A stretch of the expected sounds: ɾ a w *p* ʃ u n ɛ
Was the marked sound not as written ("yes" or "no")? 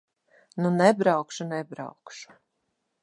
yes